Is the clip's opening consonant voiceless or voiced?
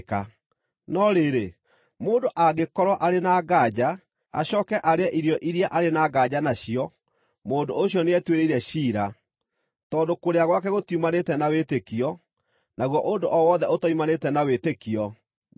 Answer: voiceless